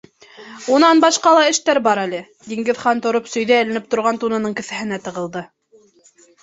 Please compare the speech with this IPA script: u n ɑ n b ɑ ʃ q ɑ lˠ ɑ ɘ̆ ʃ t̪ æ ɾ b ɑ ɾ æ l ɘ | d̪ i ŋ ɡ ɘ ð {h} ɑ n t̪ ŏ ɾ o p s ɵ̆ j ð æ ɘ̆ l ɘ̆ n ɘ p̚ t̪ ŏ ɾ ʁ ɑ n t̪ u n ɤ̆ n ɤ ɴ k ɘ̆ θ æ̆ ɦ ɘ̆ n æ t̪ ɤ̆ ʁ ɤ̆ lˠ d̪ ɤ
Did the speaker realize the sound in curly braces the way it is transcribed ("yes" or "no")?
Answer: no